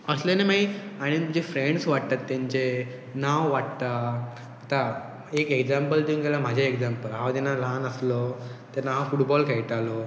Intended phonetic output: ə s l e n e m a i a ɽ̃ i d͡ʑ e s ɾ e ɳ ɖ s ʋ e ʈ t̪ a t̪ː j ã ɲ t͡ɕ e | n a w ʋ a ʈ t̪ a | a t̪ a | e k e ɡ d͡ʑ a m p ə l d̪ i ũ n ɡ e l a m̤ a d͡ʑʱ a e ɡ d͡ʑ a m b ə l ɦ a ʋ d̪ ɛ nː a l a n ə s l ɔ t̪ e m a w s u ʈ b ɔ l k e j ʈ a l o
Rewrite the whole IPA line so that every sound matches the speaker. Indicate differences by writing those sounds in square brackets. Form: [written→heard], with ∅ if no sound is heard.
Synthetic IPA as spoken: ə s l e n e m a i a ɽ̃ i d͡ʑ e [s→f] ɾ e ɳ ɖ s ʋ [e→a] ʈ t̪ a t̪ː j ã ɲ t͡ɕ e | n a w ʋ a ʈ t̪ a | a t̪ a | e k e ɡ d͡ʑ a m p ə l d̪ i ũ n ɡ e l a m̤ a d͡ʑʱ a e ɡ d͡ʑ a m [b→p] ə l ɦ a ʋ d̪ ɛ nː a l a n ə s l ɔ t̪ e [m→n] a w [s→f] u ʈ b ɔ l k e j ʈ a l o